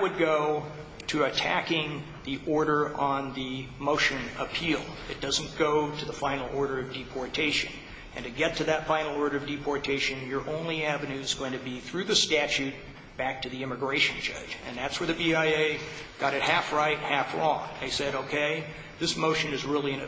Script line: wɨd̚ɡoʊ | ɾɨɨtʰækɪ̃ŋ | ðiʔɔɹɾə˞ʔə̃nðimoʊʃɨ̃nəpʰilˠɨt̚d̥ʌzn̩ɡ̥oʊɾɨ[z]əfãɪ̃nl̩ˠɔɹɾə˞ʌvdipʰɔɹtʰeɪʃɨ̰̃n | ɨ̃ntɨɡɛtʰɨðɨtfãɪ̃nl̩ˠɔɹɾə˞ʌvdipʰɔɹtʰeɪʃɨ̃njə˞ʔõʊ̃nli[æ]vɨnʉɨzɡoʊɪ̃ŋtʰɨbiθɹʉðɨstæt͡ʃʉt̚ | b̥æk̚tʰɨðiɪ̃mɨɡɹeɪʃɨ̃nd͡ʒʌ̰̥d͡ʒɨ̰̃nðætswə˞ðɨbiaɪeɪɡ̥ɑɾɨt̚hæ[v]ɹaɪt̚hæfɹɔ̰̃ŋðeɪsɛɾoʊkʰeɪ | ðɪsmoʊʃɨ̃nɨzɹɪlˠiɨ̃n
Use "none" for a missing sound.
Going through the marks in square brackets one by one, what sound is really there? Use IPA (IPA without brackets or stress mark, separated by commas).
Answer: ð, æ, f